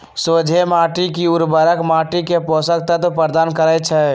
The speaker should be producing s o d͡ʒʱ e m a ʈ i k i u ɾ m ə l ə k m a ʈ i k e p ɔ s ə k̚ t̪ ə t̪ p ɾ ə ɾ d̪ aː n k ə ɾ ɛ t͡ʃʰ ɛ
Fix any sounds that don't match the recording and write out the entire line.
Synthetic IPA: s o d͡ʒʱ e m a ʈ i k i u ɾ b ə ɾ ə k m a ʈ i k e p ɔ s ə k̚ t̪ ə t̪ p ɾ ə ɾ d̪ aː n k ə ɾ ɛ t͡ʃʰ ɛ

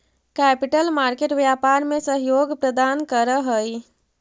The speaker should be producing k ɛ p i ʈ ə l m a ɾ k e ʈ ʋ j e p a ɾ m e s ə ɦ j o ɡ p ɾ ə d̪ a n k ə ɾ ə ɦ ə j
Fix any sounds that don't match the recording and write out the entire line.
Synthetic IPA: k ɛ p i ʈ ə l m a ɾ k e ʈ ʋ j a p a ɾ m e s ə ɦ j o ɡ p ɾ ə d̪ a n k ə ɾ ə ɦ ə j

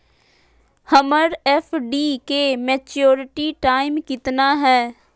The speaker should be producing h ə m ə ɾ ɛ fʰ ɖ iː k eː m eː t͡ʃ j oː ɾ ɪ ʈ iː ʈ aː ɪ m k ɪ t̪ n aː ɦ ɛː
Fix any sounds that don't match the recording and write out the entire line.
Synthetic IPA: h ə m ə ɾ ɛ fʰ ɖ iː k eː m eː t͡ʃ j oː ɾ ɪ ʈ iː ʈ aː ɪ m k ɪ t̪ n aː ɦ ɛː

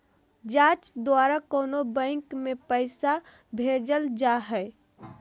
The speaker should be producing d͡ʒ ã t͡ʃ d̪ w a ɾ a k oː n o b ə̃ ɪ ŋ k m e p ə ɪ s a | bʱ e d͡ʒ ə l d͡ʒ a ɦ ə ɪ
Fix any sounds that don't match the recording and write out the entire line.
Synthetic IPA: d͡ʒ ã t͡ʃ d̪ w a ɾ a k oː n o b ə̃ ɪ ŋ k m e p ə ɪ s a | bʱ e d͡ʒ ə l d͡ʒ a ɦ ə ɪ

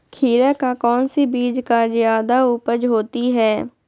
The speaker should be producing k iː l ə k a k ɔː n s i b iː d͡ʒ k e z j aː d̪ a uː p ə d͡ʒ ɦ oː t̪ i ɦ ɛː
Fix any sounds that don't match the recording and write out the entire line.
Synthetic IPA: kʰ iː ɾ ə k a k ɔː n s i b iː d͡ʒ k a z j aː d̪ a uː p ə d͡ʒ ɦ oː t̪ i ɦ ɛː

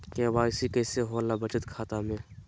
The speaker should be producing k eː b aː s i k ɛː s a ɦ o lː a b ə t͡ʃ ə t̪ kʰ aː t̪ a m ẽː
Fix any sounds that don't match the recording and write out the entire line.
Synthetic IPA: k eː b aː s i k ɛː s e ɦ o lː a b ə t͡ʃ ə t̪ kʰ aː t̪ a m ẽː

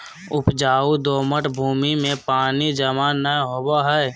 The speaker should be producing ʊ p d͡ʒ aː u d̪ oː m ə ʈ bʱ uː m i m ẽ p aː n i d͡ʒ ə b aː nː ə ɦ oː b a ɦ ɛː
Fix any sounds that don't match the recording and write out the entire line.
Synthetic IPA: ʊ p d͡ʒ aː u d̪ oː m ə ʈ bʱ uː m i m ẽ p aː n i d͡ʒ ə m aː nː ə ɦ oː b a ɦ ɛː

